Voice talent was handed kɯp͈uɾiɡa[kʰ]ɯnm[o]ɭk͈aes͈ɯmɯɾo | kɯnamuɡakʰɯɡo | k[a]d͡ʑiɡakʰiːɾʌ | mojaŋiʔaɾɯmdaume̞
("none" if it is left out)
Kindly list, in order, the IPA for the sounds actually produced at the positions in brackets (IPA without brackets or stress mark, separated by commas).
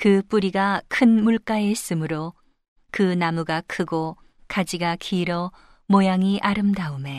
kʰ, u, a